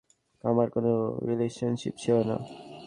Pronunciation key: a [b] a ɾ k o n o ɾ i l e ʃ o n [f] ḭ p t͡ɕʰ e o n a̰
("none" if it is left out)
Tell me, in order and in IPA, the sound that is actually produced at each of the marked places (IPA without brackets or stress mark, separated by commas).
m, ʃ